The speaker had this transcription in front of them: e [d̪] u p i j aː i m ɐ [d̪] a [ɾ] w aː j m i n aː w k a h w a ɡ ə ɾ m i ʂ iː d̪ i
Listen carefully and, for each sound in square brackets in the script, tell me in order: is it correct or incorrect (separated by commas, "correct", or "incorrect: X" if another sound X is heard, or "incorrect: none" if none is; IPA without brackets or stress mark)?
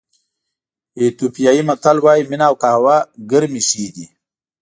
incorrect: t̪, incorrect: t̪, incorrect: l